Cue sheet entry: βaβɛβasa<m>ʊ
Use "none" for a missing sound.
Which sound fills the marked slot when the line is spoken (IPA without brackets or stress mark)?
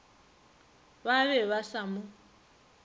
m